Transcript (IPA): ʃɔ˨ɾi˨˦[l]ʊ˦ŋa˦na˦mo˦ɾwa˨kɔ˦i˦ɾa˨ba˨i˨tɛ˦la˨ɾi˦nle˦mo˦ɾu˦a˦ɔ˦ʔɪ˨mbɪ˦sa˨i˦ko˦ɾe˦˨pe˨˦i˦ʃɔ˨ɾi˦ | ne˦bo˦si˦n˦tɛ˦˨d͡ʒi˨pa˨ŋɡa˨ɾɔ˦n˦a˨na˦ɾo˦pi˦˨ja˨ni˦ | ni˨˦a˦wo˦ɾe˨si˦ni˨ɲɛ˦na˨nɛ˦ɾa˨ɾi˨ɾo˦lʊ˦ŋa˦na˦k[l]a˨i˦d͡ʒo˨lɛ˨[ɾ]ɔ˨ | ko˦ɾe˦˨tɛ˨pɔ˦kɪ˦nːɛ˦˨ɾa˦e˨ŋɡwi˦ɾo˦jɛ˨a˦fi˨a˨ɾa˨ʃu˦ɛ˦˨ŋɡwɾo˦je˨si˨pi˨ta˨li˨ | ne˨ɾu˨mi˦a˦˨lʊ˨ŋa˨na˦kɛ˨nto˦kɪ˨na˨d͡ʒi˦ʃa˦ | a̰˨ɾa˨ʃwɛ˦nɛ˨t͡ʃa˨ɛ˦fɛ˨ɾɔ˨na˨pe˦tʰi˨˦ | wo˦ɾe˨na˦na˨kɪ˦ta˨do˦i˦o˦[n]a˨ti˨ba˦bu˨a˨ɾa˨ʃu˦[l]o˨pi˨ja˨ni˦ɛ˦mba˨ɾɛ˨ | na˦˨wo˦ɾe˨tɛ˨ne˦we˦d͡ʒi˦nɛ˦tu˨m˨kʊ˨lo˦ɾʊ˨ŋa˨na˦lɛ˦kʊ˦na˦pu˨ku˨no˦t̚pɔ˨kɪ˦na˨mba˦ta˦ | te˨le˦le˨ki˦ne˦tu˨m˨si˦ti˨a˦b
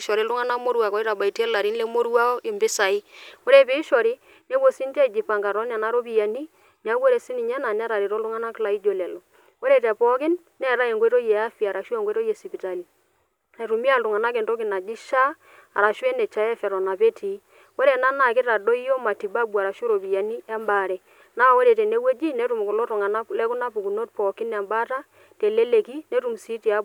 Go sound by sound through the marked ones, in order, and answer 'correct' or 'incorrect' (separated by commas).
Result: correct, correct, incorrect, incorrect, incorrect